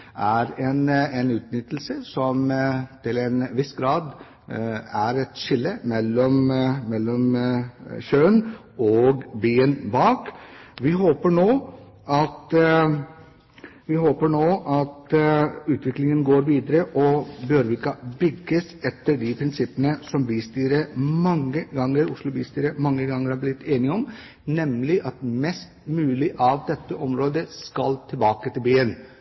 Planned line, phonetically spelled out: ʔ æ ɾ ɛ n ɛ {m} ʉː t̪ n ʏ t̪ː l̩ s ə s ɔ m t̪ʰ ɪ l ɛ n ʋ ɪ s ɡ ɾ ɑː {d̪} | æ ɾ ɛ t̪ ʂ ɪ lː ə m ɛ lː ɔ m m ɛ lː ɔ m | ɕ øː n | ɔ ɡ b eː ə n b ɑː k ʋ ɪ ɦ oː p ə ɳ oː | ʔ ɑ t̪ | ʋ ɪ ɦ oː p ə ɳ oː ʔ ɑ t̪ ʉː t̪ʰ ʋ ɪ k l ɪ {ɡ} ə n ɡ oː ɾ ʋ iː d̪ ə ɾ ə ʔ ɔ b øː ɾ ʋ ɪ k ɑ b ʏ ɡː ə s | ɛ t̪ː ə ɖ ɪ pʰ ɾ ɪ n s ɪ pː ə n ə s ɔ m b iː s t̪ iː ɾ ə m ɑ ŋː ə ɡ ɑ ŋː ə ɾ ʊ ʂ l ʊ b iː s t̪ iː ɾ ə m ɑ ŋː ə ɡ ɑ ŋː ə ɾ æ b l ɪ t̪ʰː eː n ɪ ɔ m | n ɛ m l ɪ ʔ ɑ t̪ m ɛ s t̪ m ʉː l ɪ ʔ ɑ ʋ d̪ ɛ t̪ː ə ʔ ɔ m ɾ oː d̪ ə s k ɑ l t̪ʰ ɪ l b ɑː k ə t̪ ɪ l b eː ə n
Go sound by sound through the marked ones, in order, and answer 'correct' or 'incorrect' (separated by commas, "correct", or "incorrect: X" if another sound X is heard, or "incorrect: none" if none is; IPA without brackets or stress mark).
incorrect: n, correct, incorrect: ŋ